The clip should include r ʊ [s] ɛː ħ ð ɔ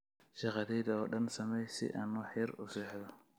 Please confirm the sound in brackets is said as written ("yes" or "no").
yes